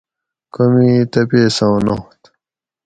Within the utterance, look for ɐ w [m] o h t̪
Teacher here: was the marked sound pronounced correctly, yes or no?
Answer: no